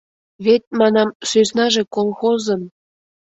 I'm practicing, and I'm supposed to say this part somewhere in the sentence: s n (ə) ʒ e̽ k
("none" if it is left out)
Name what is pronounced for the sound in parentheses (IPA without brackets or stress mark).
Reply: ɑ